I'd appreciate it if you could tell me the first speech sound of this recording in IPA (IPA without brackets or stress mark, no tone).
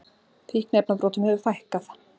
θ